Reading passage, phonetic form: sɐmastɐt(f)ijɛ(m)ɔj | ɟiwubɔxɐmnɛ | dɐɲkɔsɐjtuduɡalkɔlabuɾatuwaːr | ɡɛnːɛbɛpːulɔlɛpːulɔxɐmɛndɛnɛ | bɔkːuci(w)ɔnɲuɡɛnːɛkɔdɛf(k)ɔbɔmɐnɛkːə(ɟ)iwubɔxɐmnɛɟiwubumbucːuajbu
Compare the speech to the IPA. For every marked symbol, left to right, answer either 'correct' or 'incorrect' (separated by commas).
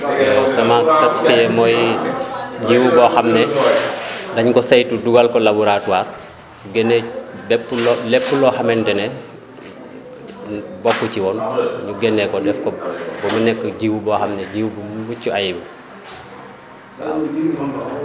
correct, correct, correct, correct, correct